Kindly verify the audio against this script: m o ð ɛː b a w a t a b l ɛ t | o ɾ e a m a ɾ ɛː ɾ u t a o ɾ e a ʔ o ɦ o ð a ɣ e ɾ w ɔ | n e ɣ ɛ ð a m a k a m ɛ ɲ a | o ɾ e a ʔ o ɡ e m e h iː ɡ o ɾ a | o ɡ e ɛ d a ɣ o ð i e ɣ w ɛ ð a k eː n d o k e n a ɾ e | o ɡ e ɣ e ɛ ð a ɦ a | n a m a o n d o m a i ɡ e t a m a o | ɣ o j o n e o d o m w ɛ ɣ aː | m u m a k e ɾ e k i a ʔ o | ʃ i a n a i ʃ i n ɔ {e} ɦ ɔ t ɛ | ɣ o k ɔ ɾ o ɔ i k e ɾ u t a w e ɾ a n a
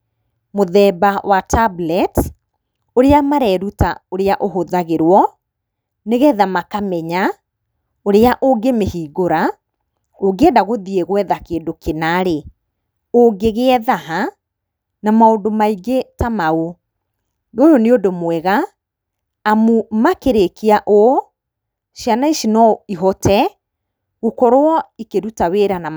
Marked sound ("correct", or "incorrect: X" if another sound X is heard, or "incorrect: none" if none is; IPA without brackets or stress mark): incorrect: i